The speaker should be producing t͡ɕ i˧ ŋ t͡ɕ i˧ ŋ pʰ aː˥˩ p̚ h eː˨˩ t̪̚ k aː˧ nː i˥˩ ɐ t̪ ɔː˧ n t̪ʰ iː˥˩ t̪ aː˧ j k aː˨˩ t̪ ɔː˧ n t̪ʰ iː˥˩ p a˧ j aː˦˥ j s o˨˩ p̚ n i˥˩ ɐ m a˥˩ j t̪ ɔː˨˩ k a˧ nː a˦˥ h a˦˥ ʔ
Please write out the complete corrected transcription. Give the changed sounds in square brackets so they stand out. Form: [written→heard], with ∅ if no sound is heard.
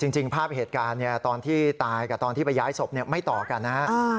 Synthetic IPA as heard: t͡ɕ i˧ ŋ t͡ɕ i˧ ŋ pʰ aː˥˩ p̚ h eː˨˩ t̪̚ k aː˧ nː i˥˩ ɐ t̪ ɔː˧ n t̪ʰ iː˥˩ t̪ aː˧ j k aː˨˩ t̪ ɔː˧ n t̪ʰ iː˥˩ p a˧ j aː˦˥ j s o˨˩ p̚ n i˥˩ ɐ m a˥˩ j t̪ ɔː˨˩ k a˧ nː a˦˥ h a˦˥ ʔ